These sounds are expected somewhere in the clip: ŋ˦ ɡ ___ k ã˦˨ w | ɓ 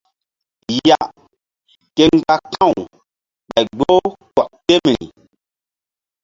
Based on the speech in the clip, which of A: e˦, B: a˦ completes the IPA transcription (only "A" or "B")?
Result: B